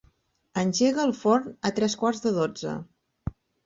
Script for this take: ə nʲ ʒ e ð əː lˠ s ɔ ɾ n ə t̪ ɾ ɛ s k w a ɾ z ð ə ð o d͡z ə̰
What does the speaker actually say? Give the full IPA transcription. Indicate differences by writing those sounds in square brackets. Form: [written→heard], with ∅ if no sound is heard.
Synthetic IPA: ə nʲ ʒ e [ð→ɣ] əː lˠ [s→f] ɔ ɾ n ə t̪ ɾ ɛ s k w a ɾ z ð ə ð o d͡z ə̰